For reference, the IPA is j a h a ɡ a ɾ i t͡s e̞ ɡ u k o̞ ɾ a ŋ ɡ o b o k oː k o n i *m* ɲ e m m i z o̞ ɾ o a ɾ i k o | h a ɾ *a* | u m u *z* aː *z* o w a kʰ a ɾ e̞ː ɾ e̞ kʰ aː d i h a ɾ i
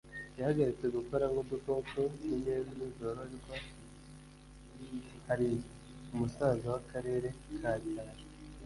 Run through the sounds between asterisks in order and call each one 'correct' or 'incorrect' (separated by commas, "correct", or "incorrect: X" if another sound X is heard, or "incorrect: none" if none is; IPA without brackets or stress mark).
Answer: incorrect: none, incorrect: i, incorrect: s, correct